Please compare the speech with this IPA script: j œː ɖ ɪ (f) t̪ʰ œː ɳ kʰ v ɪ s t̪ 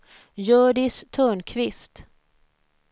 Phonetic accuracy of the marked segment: incorrect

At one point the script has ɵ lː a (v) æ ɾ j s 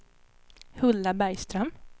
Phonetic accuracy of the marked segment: incorrect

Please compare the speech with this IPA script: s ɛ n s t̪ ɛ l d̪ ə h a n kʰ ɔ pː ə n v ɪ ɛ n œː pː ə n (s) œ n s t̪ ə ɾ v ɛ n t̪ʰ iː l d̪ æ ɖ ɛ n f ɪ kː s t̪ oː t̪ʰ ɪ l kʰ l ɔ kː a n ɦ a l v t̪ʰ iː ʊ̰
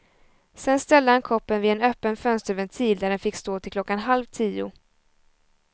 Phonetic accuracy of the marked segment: incorrect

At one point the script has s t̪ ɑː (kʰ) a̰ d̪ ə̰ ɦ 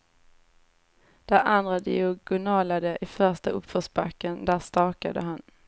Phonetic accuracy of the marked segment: incorrect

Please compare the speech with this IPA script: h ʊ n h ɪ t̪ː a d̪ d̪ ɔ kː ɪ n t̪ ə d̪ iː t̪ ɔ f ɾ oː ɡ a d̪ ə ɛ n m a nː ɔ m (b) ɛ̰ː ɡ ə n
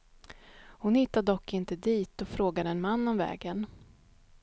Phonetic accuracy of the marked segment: incorrect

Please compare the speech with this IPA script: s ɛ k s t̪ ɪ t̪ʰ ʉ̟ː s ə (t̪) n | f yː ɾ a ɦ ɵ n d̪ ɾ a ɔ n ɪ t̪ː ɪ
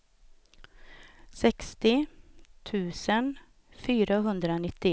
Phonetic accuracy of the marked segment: incorrect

